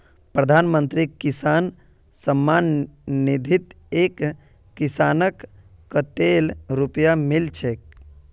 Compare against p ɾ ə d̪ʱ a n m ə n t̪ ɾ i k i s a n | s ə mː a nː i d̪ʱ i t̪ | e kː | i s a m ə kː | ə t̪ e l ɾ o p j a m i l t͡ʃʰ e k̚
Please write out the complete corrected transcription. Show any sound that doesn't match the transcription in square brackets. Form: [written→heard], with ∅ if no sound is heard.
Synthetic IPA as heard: p ɾ ə d̪ʱ a n m ə n t̪ ɾ i k i s a n | s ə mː a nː i d̪ʱ i t̪ | e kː | i s a [m→n] ə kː | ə t̪ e l ɾ [o→u] p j a m i l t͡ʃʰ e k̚